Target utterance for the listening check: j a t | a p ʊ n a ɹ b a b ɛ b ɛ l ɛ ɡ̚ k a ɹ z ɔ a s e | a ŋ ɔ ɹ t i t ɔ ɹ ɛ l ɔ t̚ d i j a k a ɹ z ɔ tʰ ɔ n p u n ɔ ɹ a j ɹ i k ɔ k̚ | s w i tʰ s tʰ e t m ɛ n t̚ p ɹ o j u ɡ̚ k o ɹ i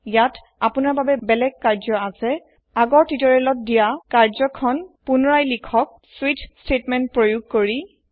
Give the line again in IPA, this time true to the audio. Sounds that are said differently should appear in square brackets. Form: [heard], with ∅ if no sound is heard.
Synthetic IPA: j a t | a p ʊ n a ɹ b a b ɛ b ɛ l ɛ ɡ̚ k a ɹ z ɔ a s [ɛ] | a [ɡ] ɔ ɹ t i t ɔ ɹ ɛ l ɔ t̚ d i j a k a ɹ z ɔ [kʰ] ɔ n p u n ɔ ɹ a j [l] i [kʰ] ɔ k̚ | s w i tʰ s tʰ e t m ɛ n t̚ p ɹ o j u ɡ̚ k o ɹ i